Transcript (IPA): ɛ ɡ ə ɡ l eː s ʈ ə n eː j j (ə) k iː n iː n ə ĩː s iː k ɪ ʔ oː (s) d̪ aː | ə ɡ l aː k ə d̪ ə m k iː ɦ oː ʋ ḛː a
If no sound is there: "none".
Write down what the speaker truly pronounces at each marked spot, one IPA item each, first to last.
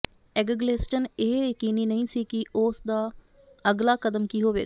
ə, s

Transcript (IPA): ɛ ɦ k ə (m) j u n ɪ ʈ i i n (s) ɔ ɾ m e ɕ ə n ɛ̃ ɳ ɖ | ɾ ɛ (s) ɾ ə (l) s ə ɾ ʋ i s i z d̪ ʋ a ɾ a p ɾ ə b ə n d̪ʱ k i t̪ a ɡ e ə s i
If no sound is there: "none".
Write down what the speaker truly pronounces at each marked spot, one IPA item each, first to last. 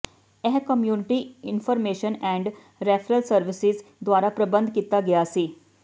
m, f, f, l

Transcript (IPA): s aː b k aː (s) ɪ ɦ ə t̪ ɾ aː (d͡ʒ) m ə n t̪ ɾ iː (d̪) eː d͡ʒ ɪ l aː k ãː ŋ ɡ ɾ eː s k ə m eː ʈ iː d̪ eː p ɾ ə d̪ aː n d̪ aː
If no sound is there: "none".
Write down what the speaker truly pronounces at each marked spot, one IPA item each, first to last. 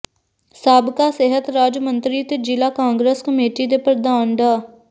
s, d͡ʒ, t̪

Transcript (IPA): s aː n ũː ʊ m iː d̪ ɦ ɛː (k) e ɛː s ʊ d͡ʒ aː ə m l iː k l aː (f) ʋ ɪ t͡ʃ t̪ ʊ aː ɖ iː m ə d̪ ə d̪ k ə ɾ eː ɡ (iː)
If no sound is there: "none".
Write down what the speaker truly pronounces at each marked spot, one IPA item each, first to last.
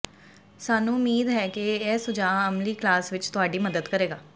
k, s, aː

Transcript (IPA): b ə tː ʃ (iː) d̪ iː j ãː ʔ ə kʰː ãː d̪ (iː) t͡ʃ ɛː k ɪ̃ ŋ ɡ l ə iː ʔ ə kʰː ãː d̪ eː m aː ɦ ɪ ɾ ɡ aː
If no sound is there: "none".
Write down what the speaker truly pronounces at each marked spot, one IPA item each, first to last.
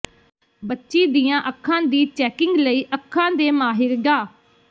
iː, iː

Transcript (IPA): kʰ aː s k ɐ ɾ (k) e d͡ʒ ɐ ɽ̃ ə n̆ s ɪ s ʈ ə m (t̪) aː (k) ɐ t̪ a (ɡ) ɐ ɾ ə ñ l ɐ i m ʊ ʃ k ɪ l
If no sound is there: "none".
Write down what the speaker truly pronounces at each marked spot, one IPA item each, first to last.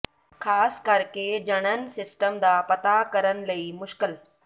k, d̪, p, k

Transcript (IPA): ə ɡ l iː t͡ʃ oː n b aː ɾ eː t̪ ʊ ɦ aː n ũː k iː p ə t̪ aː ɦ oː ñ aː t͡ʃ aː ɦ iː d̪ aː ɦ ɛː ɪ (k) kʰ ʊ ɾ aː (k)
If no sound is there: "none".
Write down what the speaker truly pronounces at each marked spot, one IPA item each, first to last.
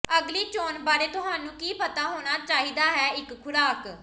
k, k

